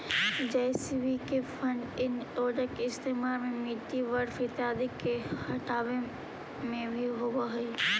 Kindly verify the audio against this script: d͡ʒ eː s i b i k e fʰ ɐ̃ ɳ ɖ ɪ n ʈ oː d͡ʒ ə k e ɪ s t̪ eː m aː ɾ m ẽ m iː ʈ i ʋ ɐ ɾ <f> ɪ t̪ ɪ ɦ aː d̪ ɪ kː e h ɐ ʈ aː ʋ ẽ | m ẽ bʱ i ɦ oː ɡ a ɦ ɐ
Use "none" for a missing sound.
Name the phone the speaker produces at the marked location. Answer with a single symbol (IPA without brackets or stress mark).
f